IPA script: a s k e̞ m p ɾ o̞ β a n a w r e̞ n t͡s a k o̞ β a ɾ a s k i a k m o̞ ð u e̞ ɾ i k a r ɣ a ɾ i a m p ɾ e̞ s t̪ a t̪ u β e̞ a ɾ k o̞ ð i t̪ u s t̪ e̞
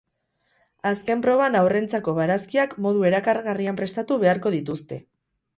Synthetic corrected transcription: a s k e̞ m p ɾ o̞ β a n a w r e̞ n t͡s a k o̞ β a ɾ a s k i a k m o̞ ð u e̞ ɾ a k a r ɣ a r i a m p ɾ e̞ s t̪ a t̪ u β e̞ a ɾ k o̞ ð i t̪ u s t̪ e̞